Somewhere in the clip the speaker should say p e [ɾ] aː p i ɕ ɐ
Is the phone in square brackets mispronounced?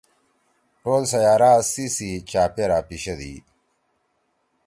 no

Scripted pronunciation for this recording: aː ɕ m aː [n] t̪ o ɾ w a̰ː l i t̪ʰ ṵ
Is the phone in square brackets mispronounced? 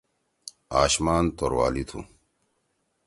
no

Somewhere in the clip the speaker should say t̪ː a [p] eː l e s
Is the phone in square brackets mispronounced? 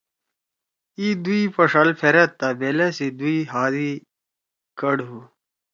yes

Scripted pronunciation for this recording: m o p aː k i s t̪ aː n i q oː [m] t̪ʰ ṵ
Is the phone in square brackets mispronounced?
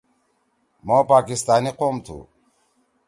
no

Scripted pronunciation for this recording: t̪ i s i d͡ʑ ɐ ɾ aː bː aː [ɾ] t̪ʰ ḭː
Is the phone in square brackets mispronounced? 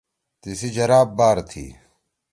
no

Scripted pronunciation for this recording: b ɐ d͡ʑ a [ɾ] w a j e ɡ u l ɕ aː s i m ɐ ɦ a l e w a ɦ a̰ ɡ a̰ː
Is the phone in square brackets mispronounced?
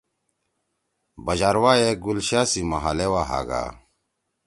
no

